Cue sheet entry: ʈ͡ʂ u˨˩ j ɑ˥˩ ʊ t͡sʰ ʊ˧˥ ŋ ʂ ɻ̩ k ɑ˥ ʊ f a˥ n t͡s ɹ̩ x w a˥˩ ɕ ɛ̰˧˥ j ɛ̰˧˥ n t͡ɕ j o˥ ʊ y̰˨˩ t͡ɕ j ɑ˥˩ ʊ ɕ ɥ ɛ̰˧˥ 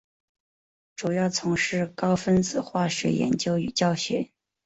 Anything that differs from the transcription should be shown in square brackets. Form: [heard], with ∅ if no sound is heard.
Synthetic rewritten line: ʈ͡ʂ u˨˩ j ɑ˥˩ ʊ t͡sʰ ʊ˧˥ ŋ ʂ ɻ̩ k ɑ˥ ʊ f [ə˥] n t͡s ɹ̩ x w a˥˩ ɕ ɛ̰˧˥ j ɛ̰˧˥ n t͡ɕ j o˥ ʊ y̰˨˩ t͡ɕ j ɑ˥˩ ʊ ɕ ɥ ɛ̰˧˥